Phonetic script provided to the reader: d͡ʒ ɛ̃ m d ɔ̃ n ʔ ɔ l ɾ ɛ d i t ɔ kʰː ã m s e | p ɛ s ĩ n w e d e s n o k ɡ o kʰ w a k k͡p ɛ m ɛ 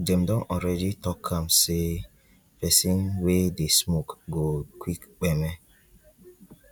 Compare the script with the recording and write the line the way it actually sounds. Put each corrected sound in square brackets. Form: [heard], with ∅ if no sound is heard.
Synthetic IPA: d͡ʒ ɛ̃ m d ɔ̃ n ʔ ɔ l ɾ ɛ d i t ɔ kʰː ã m s e | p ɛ s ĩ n w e d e s [m] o k ɡ o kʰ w [i] k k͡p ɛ m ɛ